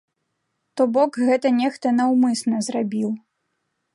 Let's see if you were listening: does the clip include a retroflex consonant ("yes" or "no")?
no